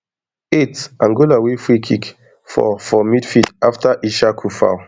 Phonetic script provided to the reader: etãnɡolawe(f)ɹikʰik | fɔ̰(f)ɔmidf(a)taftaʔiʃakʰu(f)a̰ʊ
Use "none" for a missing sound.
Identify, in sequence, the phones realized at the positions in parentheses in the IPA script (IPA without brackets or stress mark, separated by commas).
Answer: f, f, i, f